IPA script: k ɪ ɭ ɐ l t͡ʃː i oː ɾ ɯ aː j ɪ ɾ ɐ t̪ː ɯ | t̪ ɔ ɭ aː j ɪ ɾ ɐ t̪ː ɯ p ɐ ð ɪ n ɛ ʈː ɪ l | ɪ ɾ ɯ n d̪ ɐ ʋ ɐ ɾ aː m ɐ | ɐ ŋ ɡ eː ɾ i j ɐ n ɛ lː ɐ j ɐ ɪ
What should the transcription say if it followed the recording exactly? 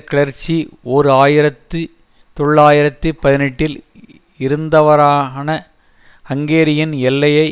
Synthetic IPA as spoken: k ɪ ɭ ɐ ɾ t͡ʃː i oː ɾ ɯ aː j ɪ ɾ ɐ t̪ː ɯ | t̪ ɔ ɭː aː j ɪ ɾ ɐ t̪ː ɯ p ɐ ð ɪ n ɛ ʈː ɪ l | ɪ ɾ ɯ n d̪ ɐ ʋ ɐ ɾ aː n ɐ | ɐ ŋ ɡ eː ɾ ɪ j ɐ n ɛ lː ɐ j ɐ ɪ